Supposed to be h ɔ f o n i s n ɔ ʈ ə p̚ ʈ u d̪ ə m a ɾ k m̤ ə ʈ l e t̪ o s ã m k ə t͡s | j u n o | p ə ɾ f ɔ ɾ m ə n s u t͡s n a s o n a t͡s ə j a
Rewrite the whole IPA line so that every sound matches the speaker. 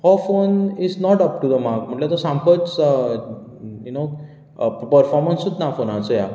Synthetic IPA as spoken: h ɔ f o n i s n ɔ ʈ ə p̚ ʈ u d̪ ə m a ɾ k m̤ ə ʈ l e t̪ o s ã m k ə t͡s | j u n o | p ə ɾ f ɔ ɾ m ə n s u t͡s n a f o n a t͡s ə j a